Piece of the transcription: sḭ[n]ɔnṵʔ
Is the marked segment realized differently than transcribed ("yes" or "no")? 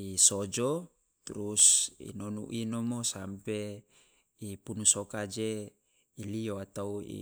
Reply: no